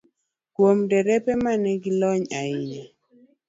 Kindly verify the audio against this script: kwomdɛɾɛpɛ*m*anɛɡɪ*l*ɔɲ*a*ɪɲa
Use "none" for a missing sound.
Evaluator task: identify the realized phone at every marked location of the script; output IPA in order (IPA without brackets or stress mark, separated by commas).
m, l, a